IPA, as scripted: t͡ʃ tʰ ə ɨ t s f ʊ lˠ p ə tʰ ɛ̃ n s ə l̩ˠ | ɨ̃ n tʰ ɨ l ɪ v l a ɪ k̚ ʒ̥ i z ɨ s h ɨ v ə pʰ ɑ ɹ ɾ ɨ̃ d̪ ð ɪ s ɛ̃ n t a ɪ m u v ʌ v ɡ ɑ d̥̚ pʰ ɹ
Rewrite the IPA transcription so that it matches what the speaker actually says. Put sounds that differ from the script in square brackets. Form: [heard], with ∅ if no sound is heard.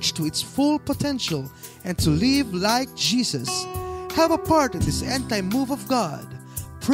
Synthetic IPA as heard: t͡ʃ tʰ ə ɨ t s f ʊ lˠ p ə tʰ ɛ̃ n [ʃ] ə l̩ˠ | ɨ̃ n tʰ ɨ l ɪ v l a ɪ k̚ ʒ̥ i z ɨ s h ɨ v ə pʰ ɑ ɹ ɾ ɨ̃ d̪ ð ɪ s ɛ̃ n t a ɪ m u v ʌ v ɡ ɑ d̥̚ pʰ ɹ